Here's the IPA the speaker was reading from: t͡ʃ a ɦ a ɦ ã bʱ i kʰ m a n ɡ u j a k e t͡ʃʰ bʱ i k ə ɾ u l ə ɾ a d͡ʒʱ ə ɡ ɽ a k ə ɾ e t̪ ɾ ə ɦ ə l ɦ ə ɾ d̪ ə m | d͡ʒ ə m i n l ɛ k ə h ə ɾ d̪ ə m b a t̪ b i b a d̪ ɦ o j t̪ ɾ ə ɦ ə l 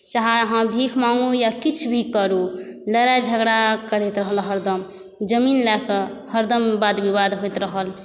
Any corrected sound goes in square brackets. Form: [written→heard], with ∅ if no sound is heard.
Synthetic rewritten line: t͡ʃ a ɦ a ɦ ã bʱ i kʰ m a [n→ŋ] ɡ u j a k [e→i] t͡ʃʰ bʱ i k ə ɾ u l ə ɾ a d͡ʒʱ ə ɡ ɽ a k ə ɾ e t̪ ɾ ə ɦ ə l ɦ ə ɾ d̪ ə m | d͡ʒ ə m i n l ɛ k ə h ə ɾ d̪ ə m b a [t̪→d̪] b i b a d̪ ɦ o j t̪ ɾ ə ɦ ə l